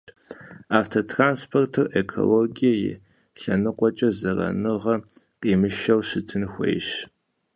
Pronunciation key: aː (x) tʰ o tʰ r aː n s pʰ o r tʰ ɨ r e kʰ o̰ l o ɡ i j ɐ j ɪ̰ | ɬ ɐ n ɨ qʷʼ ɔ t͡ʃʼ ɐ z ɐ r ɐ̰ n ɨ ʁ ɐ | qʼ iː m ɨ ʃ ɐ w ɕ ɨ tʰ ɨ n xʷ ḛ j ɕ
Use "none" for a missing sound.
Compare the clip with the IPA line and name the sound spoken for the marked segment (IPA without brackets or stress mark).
f